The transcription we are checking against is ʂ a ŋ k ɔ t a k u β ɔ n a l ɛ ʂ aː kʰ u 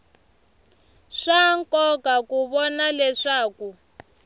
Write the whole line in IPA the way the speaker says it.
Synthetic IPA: ʂ a ŋ k ɔ k a k u β ɔ n a l ɛ ʂ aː k u